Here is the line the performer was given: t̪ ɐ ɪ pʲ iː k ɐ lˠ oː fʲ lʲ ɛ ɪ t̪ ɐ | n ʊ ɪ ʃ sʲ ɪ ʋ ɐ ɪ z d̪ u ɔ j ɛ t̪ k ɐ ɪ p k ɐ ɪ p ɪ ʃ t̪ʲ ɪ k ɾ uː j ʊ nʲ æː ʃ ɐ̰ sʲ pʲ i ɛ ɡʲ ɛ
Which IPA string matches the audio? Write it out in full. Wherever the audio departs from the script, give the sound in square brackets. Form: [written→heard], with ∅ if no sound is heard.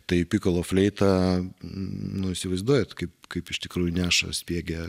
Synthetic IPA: t̪ ɐ ɪ pʲ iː k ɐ lˠ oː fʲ lʲ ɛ ɪ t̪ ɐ | n ʊ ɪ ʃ sʲ ɪ ʋ ɐ ɪ z d̪ u ɔ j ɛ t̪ k ɐ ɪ p k ɐ ɪ p ɪ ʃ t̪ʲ ɪ k ɾ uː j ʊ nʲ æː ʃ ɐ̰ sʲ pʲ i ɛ ɡʲ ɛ